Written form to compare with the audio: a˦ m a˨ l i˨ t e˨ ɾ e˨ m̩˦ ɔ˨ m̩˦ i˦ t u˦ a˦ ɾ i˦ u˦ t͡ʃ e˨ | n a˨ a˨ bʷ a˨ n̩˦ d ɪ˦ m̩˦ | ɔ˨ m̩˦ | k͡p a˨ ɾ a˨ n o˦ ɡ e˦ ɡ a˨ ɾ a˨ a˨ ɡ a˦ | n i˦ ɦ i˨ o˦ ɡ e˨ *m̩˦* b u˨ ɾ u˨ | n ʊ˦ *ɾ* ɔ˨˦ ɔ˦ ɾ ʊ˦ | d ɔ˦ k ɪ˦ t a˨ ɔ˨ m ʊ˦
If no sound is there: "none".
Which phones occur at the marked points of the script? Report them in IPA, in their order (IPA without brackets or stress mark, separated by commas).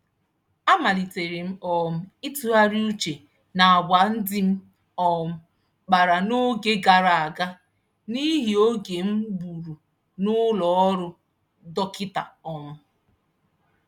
m̩˦, l